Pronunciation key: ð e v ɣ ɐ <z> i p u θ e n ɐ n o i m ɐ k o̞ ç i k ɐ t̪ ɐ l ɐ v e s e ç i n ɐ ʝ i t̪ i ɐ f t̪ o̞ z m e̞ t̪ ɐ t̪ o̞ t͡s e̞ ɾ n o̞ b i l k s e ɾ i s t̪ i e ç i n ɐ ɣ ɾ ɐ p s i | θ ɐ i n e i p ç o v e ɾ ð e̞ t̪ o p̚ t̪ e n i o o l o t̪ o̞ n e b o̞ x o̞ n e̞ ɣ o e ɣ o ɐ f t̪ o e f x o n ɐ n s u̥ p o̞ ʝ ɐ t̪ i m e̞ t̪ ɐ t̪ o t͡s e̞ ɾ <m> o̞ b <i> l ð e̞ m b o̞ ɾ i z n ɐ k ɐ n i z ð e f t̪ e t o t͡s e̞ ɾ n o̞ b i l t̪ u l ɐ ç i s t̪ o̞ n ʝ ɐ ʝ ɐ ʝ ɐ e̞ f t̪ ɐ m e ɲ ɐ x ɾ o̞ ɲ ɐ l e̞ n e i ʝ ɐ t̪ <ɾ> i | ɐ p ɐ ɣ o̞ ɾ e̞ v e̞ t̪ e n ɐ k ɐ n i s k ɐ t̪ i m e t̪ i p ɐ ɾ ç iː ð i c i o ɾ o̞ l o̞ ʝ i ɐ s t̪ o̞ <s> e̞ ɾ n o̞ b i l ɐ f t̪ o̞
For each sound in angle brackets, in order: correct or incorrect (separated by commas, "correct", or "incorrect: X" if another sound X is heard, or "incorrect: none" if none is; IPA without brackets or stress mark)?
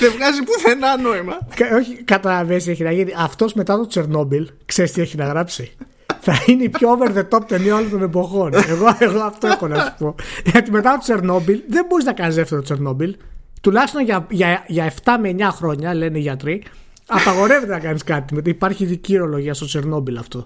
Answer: correct, incorrect: n, correct, correct, incorrect: t͡s